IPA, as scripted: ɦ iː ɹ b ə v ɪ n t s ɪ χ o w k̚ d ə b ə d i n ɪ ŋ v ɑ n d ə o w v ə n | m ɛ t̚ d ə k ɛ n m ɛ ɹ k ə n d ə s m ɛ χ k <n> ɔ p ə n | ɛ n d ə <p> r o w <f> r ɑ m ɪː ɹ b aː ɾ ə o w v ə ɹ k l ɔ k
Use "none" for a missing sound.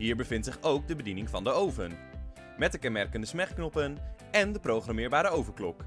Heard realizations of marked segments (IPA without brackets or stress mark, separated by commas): n, p, χ